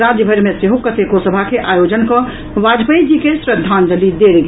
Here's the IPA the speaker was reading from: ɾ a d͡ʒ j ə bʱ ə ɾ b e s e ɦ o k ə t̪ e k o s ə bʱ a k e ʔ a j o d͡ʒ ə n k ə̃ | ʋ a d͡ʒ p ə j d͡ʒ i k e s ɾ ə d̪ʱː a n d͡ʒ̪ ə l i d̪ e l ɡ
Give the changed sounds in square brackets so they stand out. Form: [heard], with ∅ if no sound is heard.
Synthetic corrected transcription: ɾ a d͡ʒ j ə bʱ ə ɾ [m] e s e ɦ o k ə t̪ e k o s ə bʱ a k e ʔ a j o d͡ʒ ə n k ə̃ | ʋ a d͡ʒ p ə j d͡ʒ i k e s ɾ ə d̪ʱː a n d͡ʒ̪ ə l i d̪ e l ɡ